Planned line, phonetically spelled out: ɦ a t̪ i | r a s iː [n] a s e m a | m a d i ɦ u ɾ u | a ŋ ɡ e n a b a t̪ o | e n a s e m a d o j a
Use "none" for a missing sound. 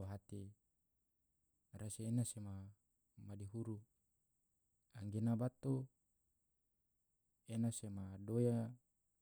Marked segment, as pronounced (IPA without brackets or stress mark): n